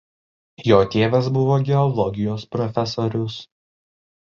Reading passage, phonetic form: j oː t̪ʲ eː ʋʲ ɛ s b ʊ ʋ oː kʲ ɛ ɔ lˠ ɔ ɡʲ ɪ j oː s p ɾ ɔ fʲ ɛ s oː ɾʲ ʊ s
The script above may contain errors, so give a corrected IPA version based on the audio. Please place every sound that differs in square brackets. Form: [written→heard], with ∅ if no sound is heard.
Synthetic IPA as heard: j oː t̪ʲ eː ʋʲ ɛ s b ʊ ʋ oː [kʲ→ɡʲ] ɛ ɔ lˠ ɔ ɡʲ ɪ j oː s p ɾ ɔ fʲ ɛ s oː ɾʲ ʊ s